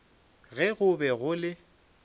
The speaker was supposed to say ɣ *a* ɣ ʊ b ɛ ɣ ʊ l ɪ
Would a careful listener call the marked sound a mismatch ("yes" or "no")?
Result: yes